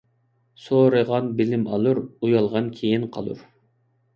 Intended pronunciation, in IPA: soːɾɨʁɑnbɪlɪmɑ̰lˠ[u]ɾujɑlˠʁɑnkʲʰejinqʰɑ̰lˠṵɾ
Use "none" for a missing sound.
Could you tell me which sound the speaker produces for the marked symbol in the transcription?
u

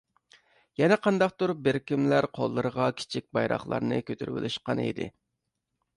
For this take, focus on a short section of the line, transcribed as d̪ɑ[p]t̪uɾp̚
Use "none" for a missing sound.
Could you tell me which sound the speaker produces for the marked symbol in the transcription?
q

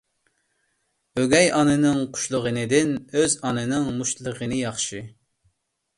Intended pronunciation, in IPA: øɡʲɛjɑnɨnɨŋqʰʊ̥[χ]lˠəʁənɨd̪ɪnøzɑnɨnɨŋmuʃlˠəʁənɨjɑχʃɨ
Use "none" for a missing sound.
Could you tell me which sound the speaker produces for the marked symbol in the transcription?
ʃ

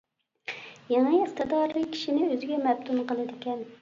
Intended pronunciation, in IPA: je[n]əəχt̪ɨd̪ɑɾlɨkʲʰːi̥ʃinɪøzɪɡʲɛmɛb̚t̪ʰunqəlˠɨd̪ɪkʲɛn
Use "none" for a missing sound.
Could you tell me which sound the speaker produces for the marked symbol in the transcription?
ŋ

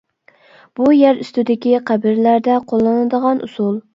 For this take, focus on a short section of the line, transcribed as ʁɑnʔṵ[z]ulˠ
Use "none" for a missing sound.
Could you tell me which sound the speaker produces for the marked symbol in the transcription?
s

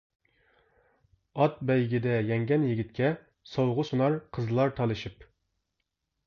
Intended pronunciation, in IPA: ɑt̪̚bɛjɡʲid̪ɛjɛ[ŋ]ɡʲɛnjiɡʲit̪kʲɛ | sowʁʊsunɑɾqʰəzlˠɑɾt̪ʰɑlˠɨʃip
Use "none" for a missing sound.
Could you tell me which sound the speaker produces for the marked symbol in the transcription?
ŋ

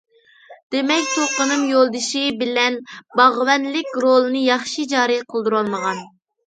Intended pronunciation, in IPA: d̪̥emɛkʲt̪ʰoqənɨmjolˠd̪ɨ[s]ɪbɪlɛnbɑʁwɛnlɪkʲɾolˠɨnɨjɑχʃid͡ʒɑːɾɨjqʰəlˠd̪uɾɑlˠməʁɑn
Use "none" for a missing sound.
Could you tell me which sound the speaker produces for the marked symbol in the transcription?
ʃ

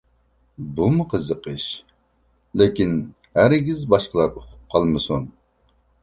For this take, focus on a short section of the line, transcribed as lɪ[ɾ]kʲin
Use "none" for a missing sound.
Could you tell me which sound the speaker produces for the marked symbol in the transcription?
none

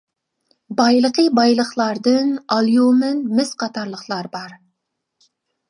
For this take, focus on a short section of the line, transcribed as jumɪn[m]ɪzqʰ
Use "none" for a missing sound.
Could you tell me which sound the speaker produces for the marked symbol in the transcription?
m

